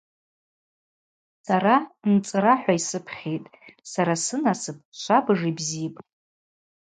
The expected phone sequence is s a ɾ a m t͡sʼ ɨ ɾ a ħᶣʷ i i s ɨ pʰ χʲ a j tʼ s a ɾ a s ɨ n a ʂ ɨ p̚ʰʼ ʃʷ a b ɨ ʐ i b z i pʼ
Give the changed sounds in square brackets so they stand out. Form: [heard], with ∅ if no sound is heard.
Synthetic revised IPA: s a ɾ a [n] t͡sʼ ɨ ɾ a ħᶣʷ [a] i s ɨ pʰ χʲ [e] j tʼ s a ɾ a s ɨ n a [s] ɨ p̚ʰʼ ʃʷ a b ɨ ʐ i b z i pʼ